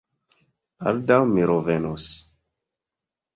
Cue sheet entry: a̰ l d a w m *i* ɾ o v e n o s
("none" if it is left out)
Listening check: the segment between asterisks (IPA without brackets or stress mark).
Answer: i